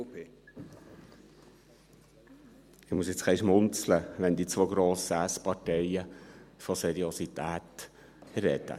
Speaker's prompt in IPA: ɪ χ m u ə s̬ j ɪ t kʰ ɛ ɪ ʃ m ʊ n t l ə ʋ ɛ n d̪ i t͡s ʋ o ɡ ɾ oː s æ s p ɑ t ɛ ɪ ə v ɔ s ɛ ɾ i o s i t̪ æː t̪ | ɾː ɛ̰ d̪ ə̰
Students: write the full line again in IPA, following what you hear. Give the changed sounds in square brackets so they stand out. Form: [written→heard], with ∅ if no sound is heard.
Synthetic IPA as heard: ɪ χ m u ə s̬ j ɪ [t→t͡s] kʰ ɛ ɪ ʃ m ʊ n [t→t͡s] l ə ʋ ɛ n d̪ i t͡s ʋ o ɡ ɾ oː s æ s p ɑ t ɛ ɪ ə [v→f] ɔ s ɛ ɾ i o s i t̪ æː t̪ | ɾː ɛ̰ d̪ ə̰